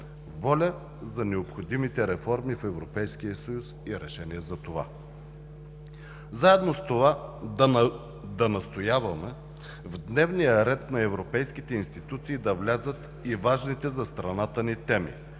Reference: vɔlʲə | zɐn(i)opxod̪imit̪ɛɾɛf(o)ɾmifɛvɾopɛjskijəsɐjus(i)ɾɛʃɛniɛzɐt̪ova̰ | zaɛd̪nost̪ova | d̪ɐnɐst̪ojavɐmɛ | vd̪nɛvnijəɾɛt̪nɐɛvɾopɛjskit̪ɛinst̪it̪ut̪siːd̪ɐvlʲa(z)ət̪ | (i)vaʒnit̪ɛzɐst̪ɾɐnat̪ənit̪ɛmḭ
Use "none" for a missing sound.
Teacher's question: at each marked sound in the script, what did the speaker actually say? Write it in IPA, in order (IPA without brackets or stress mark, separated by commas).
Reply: ɛ, ɔ, i, z, i